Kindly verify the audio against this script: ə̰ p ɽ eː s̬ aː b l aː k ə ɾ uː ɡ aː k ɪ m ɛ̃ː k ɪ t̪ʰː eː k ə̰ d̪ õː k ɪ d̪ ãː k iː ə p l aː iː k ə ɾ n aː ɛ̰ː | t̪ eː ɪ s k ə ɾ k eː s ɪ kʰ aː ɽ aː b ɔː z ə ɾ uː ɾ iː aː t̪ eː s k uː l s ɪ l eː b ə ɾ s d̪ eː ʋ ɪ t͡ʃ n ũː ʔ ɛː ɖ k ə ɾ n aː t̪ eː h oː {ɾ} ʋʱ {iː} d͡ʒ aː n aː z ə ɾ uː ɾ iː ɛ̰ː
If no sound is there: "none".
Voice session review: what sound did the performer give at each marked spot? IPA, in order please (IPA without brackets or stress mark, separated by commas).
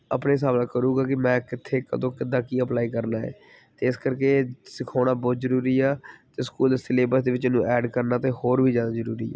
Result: ɾ, iː